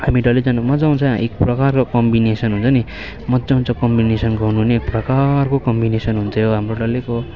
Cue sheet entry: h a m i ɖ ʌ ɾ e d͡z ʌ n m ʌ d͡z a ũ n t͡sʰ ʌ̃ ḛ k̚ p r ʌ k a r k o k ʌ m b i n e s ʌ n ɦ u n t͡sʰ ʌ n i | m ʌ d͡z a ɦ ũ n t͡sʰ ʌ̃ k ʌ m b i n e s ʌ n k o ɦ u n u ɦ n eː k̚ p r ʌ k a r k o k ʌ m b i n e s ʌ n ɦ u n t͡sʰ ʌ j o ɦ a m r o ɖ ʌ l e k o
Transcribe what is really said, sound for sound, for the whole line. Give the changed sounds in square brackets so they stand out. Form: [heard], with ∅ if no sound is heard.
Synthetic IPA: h a m i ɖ ʌ [l] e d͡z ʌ n m ʌ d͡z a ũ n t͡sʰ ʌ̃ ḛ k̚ p r ʌ k a r k o k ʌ m b i n e s ʌ n ɦ u n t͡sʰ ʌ n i | m ʌ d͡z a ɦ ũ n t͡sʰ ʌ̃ k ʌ m b i n e s ʌ n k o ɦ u n u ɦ n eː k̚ p r ʌ k a r k o k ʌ m b i n e s ʌ n ɦ u n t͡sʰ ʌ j o ɦ a m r o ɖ ʌ l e k o